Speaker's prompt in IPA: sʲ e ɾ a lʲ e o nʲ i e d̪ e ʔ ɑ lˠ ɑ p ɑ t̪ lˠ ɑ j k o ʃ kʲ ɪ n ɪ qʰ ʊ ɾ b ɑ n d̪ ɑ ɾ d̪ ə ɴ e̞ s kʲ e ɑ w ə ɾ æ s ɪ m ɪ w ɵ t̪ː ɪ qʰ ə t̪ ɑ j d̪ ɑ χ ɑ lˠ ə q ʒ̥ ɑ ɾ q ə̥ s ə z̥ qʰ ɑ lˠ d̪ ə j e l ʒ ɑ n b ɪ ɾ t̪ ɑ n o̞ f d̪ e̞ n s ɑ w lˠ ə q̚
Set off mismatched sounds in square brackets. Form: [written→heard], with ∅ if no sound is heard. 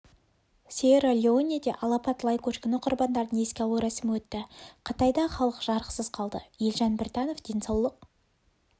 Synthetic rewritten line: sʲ e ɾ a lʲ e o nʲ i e d̪ e ʔ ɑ lˠ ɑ p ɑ t̪ lˠ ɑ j k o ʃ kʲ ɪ n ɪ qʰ ʊ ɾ b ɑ n d̪ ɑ ɾ d̪ ə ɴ e̞ s kʲ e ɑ w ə ɾ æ s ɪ m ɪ w ɵ t̪ː ɪ qʰ ə t̪ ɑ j d̪ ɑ χ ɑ lˠ ə q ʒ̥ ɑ ɾ q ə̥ s ə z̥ qʰ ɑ lˠ d̪ ə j e l ʒ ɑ n b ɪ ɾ t̪ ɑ n o̞ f d̪ e̞ n s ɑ w lˠ ə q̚